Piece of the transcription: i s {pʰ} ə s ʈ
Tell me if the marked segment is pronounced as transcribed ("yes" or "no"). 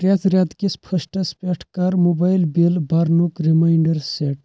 yes